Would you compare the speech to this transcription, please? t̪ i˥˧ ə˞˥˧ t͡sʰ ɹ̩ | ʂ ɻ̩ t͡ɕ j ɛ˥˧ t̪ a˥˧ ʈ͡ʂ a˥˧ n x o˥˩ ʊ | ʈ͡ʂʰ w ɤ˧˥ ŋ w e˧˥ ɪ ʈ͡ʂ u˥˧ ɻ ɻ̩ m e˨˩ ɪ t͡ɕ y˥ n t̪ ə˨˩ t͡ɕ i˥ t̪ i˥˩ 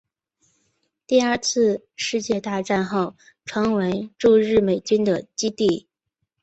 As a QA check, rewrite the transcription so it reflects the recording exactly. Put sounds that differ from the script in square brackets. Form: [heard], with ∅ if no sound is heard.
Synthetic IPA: t̪ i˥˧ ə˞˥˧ t͡sʰ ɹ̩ | ʂ ɻ̩ t͡ɕ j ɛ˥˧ t̪ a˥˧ ʈ͡ʂ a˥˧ n x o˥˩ ʊ | ʈ͡ʂʰ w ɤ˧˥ ŋ w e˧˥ ɪ ʈ͡ʂ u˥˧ ɻ ɻ̩ m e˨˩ ɪ t͡ɕ y˥ n [d̪] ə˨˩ t͡ɕ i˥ t̪ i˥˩